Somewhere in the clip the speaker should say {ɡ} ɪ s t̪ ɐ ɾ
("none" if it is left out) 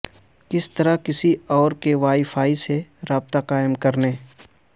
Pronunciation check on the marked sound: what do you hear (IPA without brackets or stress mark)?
k